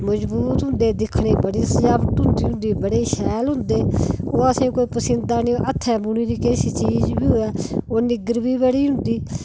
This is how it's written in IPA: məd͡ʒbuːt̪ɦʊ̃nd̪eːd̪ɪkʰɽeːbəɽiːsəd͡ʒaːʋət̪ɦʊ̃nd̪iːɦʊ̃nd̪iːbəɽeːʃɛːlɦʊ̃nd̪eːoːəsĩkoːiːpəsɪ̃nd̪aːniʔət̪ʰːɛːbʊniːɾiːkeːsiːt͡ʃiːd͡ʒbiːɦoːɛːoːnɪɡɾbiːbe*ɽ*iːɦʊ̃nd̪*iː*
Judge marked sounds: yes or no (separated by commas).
yes, yes